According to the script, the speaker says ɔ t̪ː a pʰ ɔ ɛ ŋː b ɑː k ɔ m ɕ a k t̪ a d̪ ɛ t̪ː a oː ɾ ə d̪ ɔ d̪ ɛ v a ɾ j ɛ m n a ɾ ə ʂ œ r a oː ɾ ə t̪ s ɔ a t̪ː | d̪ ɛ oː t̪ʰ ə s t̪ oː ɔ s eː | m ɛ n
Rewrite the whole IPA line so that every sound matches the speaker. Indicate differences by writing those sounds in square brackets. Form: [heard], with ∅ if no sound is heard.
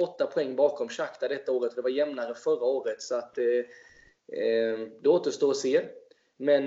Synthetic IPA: ɔ t̪ː a pʰ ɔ ɛ ŋː b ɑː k ɔ m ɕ a k t̪ a d̪ ɛ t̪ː a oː ɾ ə [t̪] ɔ d̪ ɛ v a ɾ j ɛ m n a ɾ ə [f] œ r a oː ɾ ə t̪ s ɔ a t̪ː | d̪ ɛ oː [t̪] ə [ʂ] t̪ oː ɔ s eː | m ɛ n